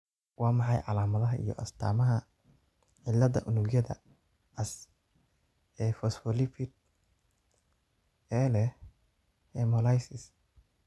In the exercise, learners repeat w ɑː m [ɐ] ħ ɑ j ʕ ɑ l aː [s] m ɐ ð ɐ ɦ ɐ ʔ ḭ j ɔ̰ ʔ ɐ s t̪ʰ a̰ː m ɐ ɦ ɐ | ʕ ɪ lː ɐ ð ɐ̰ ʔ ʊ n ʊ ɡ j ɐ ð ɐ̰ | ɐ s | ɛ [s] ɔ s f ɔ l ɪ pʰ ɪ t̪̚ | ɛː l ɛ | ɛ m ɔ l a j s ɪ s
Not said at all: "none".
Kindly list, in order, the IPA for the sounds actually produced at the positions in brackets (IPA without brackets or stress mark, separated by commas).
ɑ, none, f